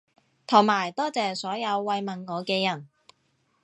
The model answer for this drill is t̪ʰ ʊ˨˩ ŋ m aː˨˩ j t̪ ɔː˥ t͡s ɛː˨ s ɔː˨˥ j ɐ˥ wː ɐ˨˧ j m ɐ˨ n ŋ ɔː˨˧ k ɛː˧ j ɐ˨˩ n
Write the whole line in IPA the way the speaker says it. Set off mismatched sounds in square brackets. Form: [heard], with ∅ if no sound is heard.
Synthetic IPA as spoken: t̪ʰ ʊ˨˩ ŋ m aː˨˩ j t̪ ɔː˥ t͡s ɛː˨ s ɔː˨˥ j [ɐ˨˧] wː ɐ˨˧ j m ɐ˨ n ŋ ɔː˨˧ k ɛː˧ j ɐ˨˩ n